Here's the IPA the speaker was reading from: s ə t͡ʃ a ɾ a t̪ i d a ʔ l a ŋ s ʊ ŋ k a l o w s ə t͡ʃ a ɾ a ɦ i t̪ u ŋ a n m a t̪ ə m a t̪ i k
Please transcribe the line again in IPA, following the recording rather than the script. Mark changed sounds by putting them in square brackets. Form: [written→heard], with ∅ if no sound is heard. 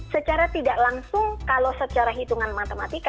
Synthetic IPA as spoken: s ə t͡ʃ a ɾ a t̪ i d a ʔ l a ŋ s ʊ ŋ k a l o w s ə t͡ʃ a ɾ a ɦ i t̪ u ŋ a n m a t̪ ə m a t̪ i k